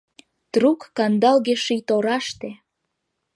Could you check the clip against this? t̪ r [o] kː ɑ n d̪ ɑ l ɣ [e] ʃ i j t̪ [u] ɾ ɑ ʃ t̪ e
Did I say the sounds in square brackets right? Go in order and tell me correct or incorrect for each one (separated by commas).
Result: incorrect, correct, incorrect